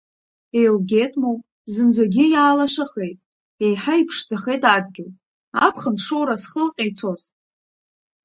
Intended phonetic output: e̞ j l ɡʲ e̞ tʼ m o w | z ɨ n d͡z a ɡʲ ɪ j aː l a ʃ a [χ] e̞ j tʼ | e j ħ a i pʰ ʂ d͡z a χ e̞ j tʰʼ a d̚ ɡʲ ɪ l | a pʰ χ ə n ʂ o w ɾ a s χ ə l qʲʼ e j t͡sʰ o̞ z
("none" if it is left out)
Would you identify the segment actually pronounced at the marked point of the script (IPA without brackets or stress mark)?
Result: χ